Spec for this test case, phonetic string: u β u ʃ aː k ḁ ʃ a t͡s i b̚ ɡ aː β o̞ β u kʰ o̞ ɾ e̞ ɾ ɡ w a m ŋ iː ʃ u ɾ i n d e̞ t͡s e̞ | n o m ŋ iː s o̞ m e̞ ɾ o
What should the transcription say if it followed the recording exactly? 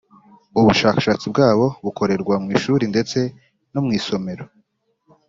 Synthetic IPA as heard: u β u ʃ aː k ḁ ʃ a t͡s i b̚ ɡ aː β o̞ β u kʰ o̞ ɾ e̞ ɾ ɡ w a m ŋ iː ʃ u ɾ i n d e̞ t͡s e̞ | n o m ŋ iː s o̞ m e̞ ɾ o